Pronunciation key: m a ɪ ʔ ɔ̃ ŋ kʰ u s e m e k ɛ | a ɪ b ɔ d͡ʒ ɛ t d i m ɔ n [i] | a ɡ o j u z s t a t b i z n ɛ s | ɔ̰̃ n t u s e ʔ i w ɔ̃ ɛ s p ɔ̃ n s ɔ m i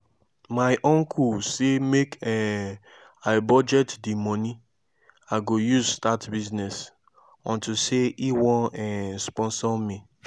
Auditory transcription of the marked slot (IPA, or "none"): i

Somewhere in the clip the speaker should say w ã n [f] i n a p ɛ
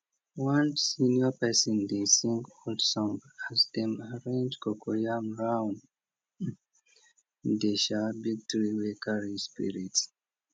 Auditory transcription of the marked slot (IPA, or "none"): s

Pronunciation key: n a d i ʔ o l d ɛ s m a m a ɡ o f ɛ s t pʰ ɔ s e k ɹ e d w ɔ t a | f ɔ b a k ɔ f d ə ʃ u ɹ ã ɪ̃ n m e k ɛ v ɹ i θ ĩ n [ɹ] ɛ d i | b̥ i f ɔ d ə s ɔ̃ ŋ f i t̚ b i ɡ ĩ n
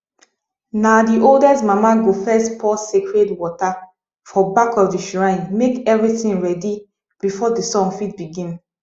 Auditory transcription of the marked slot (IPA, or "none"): ɹ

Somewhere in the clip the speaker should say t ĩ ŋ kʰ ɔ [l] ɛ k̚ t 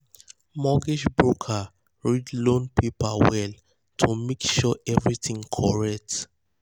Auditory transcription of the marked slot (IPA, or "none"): ɹ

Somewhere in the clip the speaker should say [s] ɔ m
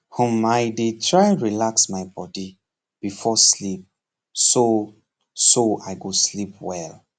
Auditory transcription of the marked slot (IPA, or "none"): h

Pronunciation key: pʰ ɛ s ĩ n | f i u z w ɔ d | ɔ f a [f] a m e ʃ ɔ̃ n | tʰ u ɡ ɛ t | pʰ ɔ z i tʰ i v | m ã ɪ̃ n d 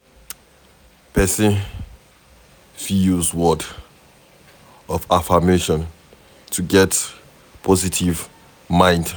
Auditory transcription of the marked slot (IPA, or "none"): f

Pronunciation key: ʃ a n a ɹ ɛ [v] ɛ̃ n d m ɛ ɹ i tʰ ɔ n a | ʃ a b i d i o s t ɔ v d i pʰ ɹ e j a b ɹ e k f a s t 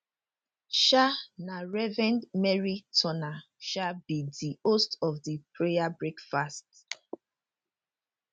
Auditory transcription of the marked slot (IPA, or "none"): v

